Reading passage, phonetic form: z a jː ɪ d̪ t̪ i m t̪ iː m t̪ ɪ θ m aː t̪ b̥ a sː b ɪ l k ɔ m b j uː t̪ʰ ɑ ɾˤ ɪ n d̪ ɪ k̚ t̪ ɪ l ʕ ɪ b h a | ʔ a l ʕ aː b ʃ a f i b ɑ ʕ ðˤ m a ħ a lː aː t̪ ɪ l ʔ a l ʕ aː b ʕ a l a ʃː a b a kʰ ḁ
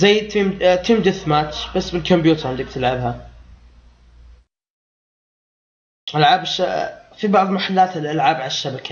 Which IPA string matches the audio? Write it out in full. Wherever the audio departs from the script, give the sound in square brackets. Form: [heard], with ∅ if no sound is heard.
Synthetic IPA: z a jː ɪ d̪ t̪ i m t̪ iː m [d̪] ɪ θ m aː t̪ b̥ a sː b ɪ l k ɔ m b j uː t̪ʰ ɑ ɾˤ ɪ n d̪ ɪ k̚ t̪ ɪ l ʕ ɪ b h a | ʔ a l ʕ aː b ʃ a f i b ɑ ʕ ðˤ m a ħ a lː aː t̪ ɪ l ʔ a l ʕ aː b ʕ a l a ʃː a b a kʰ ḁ